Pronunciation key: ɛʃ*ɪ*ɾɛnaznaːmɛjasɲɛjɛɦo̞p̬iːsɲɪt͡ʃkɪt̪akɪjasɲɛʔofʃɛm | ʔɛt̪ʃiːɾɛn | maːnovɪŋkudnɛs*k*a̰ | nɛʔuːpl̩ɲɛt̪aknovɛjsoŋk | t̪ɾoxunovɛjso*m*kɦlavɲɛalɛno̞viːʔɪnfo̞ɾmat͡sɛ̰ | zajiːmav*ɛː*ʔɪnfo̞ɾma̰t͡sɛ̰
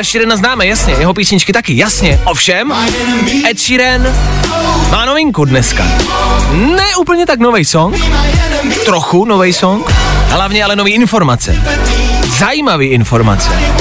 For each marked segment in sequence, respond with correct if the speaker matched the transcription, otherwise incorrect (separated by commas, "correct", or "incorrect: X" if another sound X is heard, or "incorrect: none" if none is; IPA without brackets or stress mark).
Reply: incorrect: i, correct, incorrect: ŋ, incorrect: iː